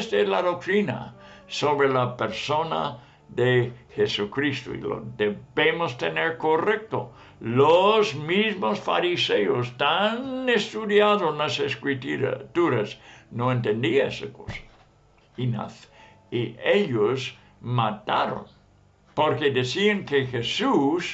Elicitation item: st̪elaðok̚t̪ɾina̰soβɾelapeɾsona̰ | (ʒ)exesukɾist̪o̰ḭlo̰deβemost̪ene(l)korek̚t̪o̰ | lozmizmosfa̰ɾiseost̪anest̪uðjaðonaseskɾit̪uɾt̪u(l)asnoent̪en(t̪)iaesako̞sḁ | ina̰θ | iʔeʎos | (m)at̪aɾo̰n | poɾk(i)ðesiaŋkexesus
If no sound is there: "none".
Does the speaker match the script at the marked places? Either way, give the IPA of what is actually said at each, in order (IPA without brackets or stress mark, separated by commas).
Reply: ð, ɾ, ɾ, d̪, m, e